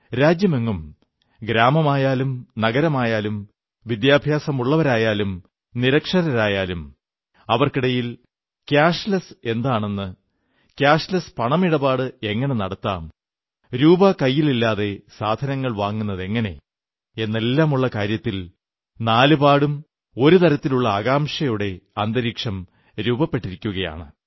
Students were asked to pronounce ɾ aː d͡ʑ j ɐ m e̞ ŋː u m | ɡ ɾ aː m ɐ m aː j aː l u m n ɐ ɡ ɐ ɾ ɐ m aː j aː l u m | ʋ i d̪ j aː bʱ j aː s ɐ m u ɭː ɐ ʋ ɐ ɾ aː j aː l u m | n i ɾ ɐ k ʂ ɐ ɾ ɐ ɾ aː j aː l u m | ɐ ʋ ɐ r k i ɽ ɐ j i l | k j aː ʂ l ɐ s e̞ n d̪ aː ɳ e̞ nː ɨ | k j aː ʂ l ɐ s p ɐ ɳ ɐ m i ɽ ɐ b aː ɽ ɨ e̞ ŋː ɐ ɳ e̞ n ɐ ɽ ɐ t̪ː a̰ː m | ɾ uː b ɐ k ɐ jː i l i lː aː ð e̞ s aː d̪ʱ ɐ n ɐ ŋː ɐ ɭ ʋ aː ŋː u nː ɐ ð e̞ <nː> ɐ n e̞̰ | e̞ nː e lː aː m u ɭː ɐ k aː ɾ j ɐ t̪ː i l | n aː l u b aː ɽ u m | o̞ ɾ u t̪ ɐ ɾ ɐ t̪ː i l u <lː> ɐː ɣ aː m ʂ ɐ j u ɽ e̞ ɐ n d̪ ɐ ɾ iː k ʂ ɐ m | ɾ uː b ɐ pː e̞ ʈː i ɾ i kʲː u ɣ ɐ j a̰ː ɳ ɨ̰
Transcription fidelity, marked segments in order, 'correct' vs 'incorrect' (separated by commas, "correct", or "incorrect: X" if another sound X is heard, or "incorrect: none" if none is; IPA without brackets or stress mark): incorrect: ŋː, incorrect: ɭː